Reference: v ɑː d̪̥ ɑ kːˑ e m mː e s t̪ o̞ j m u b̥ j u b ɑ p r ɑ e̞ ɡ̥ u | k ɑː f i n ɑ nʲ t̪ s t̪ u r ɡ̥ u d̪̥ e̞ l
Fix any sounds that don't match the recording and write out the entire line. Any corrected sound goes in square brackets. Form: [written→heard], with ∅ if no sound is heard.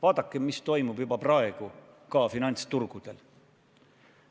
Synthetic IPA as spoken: v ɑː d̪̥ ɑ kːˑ e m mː [e→i] s t̪ o̞ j m u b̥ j u b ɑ p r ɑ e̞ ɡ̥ u | k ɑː f i n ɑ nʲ t̪ s t̪ u r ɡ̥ u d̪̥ e̞ l